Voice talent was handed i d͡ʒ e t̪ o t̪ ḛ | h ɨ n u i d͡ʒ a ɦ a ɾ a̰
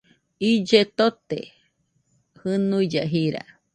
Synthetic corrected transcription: i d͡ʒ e t̪ o t̪ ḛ | h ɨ n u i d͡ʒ a ɦ i ɾ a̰